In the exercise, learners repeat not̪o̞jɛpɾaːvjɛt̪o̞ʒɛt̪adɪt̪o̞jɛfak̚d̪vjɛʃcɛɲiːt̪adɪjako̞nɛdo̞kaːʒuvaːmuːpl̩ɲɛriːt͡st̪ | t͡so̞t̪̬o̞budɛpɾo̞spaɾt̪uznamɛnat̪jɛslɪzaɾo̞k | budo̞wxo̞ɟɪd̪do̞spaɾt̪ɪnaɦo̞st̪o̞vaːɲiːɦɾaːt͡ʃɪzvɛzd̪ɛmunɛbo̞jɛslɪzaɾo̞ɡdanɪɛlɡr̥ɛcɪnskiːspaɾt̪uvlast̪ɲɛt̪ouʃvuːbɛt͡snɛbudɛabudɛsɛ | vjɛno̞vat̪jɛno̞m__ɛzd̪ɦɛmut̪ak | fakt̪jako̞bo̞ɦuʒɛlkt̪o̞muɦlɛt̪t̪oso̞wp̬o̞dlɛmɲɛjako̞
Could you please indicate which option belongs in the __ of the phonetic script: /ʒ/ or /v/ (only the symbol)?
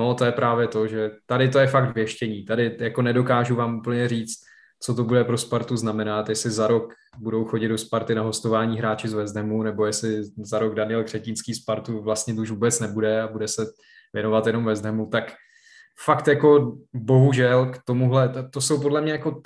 v